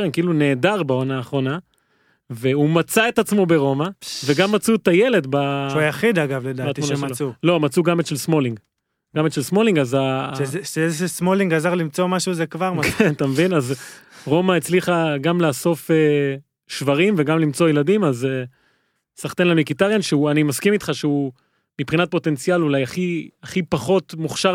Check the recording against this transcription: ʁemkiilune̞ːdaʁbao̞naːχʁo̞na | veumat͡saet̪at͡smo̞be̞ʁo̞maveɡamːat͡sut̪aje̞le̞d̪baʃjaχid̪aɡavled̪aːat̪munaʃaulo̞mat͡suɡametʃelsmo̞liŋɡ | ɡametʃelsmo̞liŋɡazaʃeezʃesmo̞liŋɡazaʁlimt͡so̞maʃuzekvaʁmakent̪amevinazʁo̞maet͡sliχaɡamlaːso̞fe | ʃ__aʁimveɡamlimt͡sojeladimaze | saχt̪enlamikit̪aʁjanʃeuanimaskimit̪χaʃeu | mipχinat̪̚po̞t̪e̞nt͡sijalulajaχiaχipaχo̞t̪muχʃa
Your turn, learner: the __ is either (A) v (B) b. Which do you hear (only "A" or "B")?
A